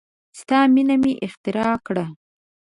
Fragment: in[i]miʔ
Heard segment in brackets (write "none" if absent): a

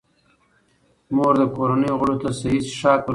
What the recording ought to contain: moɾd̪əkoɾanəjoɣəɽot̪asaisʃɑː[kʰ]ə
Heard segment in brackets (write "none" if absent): k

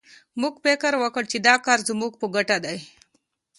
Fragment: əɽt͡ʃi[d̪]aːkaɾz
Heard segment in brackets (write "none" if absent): d̪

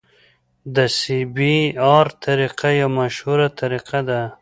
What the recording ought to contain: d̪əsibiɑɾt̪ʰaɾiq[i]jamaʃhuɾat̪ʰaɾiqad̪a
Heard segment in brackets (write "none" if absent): a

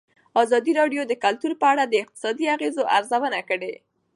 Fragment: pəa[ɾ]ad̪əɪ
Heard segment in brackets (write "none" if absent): ɽ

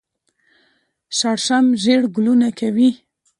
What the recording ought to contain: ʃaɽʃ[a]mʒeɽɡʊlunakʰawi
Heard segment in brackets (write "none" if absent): a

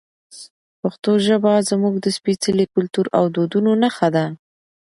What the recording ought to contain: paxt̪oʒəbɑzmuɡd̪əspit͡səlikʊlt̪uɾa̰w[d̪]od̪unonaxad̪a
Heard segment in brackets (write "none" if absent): d̪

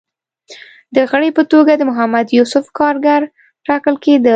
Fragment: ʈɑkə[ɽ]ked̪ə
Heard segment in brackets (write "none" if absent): l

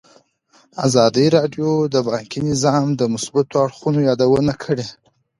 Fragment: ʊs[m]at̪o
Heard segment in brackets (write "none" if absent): b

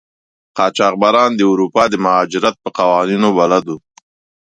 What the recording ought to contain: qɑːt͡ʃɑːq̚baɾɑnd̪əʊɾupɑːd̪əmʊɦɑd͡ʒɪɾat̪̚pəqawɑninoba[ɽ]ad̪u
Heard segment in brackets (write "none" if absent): l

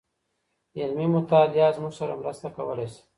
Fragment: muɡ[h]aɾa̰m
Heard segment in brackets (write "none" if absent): s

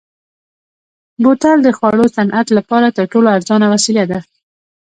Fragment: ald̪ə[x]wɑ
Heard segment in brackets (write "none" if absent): x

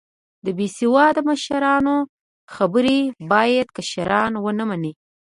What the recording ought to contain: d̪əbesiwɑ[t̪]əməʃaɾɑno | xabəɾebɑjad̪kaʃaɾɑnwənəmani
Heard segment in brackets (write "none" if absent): d̪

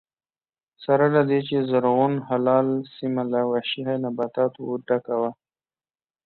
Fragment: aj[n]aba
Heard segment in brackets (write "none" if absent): n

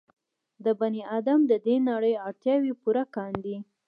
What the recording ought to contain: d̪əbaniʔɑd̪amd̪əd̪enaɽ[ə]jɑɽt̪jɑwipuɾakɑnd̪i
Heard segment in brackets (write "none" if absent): ə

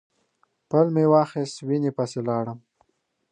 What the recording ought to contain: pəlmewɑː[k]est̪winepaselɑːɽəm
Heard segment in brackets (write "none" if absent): x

